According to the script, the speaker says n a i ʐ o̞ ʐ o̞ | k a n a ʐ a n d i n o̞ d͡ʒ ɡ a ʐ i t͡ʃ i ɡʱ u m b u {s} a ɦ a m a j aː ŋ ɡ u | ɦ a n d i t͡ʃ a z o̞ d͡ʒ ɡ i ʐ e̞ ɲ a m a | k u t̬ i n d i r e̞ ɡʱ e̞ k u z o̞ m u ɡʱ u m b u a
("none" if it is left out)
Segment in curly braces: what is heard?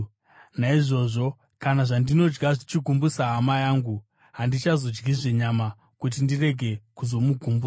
s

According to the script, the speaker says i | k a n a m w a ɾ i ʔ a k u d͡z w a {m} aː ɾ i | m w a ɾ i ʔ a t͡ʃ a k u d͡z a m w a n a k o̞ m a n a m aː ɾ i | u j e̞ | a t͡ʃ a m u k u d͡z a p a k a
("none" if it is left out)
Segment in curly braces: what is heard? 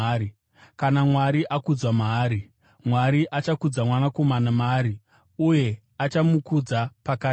m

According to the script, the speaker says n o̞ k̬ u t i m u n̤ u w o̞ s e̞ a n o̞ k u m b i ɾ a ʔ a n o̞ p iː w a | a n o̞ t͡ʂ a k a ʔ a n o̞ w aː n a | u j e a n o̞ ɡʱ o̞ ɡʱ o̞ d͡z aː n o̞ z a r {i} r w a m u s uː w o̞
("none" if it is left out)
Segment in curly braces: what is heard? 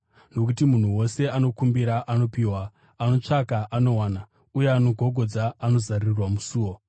i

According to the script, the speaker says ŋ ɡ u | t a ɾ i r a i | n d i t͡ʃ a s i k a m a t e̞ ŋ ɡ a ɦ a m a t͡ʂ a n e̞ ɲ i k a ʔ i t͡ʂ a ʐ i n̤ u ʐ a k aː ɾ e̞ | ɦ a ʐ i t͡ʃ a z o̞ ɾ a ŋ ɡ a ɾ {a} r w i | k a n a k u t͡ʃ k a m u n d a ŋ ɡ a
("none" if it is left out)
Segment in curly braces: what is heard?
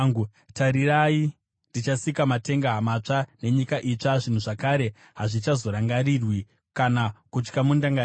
i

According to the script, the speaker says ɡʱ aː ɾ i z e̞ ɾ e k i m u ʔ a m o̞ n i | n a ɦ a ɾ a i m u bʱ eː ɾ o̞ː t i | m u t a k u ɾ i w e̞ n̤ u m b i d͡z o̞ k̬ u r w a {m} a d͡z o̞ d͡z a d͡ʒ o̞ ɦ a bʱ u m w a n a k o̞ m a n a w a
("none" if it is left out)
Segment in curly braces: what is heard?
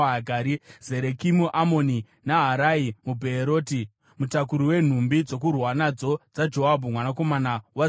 n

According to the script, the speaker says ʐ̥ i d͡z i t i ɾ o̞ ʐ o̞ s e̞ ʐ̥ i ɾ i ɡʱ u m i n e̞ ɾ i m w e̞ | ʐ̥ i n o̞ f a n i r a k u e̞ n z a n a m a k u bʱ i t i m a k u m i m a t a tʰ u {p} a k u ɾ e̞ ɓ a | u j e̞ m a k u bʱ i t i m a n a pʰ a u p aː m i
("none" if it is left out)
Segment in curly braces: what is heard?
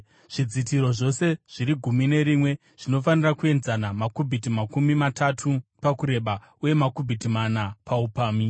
p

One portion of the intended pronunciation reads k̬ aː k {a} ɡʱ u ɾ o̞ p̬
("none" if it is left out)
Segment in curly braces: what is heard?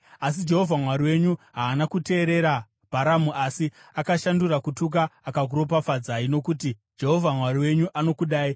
a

